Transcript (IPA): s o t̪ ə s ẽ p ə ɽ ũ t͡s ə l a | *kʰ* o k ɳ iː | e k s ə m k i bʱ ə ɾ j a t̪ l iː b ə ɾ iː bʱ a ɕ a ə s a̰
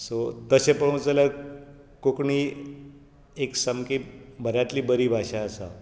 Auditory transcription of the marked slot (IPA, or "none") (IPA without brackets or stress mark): k